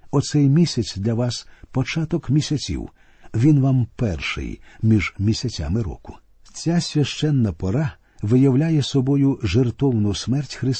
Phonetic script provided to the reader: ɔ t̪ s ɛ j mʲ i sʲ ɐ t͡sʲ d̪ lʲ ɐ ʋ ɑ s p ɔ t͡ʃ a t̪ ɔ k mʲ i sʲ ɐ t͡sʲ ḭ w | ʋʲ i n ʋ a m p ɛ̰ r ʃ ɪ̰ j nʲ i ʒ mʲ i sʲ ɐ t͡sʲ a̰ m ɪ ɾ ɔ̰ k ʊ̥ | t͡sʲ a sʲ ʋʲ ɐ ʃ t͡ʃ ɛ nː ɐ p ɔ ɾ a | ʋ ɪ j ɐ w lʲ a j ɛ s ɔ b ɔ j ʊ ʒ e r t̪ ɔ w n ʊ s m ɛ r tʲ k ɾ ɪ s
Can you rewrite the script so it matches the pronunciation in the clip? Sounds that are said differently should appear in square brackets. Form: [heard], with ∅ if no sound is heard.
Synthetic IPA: ɔ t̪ s ɛ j mʲ i sʲ ɐ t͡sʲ d̪ lʲ ɐ ʋ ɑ s p ɔ t͡ʃ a t̪ ɔ k mʲ i sʲ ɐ t͡sʲ ḭ w | ʋʲ i n ʋ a m p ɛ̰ r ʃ ɪ̰ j [mʲ] i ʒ mʲ i sʲ ɐ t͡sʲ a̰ m ɪ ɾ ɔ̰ k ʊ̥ | t͡sʲ a sʲ ʋʲ ɐ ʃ t͡ʃ ɛ nː ɐ p ɔ ɾ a | ʋ ɪ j ɐ w lʲ a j ɛ s ɔ b ɔ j ʊ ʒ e r t̪ ɔ w n ʊ s m ɛ r tʲ [x] ɾ ɪ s